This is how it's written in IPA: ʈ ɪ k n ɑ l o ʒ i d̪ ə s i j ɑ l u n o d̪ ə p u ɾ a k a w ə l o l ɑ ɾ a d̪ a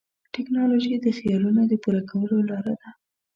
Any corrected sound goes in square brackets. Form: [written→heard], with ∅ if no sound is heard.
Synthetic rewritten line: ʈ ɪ k n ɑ l o ʒ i d̪ ə [s→x] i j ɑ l u n o d̪ ə p u ɾ a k a w ə l o l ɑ ɾ a d̪ a